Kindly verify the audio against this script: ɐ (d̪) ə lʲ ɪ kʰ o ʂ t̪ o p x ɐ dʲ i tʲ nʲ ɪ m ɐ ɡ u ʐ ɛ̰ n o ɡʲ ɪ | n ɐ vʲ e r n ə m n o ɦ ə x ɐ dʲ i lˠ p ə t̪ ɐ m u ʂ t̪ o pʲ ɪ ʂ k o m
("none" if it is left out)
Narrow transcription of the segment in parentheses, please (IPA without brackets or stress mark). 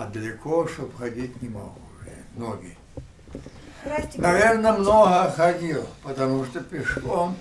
d̪